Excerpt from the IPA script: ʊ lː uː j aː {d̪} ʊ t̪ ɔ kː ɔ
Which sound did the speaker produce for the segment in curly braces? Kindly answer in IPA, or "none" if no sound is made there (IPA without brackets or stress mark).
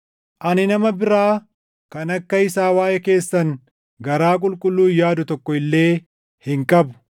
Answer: d̪